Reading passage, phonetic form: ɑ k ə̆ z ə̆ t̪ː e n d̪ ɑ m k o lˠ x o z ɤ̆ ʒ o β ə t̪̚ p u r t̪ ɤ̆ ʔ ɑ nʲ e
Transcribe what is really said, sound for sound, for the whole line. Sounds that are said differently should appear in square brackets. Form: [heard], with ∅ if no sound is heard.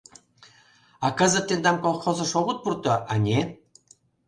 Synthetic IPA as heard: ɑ k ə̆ z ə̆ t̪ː e n d̪ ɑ m k o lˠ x o z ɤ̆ [ʃ] o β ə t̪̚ p u r t̪ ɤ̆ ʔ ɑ nʲ e

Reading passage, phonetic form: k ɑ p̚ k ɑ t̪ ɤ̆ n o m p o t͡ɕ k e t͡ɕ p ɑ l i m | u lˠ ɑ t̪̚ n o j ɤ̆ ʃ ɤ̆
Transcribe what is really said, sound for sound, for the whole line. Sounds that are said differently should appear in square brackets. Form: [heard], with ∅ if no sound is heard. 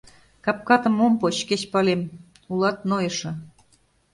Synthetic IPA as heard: k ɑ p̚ k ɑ t̪ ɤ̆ [m] o m p o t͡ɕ k e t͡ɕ p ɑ l [e] m | u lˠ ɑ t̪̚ n o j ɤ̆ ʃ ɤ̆

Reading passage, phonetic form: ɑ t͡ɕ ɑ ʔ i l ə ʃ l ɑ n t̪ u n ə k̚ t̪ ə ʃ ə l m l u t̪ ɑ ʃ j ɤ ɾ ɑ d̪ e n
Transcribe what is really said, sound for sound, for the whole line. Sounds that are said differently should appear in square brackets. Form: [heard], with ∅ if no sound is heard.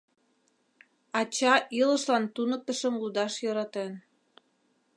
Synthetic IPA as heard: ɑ t͡ɕ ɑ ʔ i l ə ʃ l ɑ n t̪ u n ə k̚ t̪ ə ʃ ə [∅] m l u [d̪] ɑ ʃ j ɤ ɾ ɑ [t̪] e n

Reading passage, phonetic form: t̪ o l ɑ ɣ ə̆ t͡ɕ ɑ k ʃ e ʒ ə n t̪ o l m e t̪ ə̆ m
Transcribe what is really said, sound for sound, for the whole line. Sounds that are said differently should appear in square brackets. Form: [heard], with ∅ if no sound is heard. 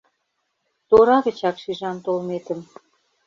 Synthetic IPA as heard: t̪ o [ɾ] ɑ ɣ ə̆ t͡ɕ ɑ k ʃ [i] ʒ [ɑ] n t̪ o l m e t̪ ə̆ m

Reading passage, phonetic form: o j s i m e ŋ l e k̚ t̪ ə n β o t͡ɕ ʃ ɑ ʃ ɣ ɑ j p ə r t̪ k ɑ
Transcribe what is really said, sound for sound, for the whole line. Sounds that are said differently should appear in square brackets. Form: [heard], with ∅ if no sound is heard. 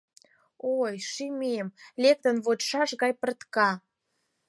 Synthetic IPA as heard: o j [ʃ] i m e [m] l e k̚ t̪ ə n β o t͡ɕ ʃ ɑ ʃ ɣ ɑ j p ə r t̪ k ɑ

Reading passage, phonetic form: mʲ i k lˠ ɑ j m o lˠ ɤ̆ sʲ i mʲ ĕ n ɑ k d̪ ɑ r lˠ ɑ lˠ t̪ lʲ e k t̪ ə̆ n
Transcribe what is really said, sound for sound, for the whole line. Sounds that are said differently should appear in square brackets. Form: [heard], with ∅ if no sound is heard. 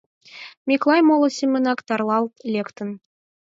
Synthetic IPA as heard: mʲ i k lˠ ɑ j m o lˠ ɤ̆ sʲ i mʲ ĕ n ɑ k [t̪] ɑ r lˠ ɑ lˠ t̪ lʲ e k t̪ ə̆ n

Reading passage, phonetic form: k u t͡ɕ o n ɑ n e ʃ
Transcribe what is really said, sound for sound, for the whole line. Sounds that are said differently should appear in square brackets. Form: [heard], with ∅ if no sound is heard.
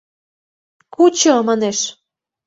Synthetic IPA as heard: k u t͡ɕ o [m] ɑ n e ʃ

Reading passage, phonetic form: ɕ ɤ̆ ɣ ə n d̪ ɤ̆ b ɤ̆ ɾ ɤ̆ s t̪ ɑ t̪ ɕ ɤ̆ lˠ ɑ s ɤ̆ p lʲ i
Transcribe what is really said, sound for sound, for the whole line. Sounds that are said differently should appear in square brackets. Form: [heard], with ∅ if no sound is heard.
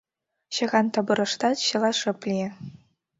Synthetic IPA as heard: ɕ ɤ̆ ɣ [ɑ] n [t̪] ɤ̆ b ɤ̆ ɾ ɤ̆ [ʂ] t̪ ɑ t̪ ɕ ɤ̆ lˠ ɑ [ʂ] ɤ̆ p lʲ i

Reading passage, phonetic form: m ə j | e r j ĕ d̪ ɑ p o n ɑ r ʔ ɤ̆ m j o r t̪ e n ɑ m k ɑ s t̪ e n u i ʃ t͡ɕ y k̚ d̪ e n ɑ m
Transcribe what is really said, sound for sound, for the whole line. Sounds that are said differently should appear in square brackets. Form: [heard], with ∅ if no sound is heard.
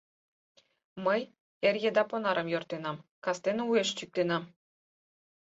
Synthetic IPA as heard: m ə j | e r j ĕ d̪ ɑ p o n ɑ [ɾ] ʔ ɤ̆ m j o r t̪ e n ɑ m k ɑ s t̪ e n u [e] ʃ t͡ɕ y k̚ [t̪] e n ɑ m

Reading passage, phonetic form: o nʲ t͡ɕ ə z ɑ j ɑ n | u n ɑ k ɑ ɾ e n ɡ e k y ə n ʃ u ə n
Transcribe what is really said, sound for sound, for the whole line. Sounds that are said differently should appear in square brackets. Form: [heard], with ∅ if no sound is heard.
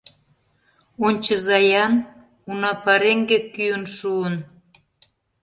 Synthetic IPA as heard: o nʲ t͡ɕ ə z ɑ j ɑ n | u n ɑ [p] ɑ ɾ e [ŋ] ɡ e k y ə n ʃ u ə n

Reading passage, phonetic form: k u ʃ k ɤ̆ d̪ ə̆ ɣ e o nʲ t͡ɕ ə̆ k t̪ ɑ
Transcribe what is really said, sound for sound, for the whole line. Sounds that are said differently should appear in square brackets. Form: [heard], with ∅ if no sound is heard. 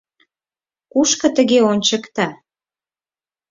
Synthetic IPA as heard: k u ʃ k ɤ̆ [t̪] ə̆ ɣ e o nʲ t͡ɕ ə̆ k t̪ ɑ

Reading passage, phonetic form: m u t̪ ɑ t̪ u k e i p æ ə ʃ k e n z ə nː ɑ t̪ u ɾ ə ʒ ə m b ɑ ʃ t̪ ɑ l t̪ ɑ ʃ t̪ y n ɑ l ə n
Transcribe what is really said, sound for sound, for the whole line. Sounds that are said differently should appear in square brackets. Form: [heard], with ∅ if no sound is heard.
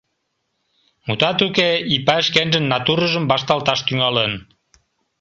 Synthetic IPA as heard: m u t̪ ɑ t̪ u k e i p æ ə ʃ k e n [ʒ] ə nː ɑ t̪ u ɾ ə ʒ ə m b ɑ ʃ t̪ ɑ l t̪ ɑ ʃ t̪ y [ŋ] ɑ l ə n

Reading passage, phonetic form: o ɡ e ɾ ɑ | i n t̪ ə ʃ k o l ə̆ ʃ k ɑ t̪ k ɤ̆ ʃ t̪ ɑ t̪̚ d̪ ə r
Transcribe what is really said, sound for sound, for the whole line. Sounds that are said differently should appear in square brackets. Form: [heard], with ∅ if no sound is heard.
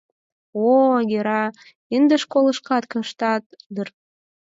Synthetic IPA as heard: o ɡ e ɾ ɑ | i n [d̪] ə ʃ k o l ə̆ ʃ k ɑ t̪ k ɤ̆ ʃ t̪ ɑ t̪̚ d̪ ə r

